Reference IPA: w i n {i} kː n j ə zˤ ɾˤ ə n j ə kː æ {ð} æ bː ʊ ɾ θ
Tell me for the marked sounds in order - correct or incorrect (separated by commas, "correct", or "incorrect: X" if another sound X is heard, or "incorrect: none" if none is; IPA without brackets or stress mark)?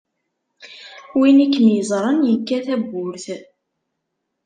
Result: correct, incorrect: θ